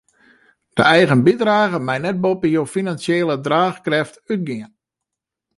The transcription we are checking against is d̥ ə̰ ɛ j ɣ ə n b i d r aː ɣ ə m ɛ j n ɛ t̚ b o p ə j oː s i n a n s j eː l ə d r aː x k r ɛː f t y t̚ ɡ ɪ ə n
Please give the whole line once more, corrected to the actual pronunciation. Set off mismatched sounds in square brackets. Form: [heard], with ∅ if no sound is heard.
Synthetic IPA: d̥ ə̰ ɛ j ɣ ə n b i d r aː ɣ ə m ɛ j n ɛ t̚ b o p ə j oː [f] i n a n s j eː l ə d r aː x k r [ɛ] f t y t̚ ɡ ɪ ə n